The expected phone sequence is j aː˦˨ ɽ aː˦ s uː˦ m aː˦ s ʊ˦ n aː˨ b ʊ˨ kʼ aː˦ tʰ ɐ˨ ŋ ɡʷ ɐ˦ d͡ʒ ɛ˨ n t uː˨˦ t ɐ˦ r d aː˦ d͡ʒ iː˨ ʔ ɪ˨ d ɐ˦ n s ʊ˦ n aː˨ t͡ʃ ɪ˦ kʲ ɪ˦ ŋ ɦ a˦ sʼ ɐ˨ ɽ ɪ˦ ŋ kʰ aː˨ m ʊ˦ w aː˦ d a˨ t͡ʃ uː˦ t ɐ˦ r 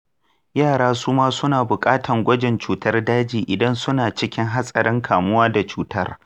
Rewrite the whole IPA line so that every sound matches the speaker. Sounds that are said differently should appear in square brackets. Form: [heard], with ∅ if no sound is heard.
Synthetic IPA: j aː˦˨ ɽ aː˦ s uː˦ m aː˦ s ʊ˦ n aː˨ b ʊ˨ kʼ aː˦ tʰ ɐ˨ ŋ ɡʷ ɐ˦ d͡ʒ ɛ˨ n [t͡ʃ] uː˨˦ t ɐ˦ r d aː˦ d͡ʒ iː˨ ʔ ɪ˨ d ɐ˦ n s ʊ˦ n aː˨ t͡ʃ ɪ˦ kʲ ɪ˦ ŋ ɦ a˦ sʼ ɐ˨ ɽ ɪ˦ ŋ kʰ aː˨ m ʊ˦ w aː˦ d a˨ t͡ʃ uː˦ t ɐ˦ r